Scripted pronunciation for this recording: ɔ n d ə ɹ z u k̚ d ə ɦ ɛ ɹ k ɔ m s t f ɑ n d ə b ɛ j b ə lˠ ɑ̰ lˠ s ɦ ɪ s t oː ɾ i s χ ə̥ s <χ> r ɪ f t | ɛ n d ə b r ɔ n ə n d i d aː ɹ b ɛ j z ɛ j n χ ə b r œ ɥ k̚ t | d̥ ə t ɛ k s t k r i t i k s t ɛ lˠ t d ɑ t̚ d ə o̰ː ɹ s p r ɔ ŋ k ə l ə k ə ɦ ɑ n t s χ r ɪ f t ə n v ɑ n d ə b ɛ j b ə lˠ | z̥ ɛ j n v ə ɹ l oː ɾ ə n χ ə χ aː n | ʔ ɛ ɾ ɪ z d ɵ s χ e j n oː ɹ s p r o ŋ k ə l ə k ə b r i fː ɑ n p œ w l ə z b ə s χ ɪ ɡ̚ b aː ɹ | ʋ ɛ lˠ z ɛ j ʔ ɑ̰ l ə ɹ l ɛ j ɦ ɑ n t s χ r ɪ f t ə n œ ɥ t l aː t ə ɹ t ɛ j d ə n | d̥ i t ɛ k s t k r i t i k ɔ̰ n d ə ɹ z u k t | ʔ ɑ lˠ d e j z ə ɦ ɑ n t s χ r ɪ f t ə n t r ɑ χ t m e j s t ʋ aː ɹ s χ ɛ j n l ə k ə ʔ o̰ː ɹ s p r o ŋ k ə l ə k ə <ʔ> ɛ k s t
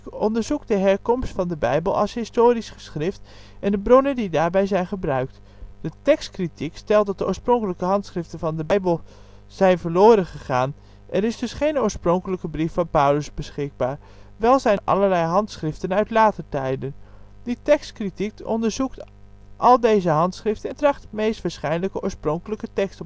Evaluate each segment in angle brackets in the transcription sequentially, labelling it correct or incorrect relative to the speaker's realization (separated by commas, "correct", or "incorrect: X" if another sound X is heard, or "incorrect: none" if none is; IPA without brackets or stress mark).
correct, incorrect: t